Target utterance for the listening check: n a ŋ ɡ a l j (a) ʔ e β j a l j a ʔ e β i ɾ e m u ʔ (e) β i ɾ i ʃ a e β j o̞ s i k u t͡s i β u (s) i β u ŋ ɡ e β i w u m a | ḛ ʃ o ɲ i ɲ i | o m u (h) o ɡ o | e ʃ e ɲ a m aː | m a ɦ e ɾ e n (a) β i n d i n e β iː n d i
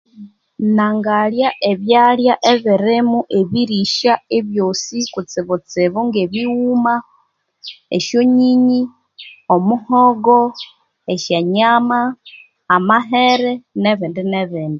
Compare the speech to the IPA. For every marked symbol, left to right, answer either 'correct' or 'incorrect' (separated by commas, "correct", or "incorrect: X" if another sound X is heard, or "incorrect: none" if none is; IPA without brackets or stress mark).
correct, correct, incorrect: t͡s, correct, incorrect: e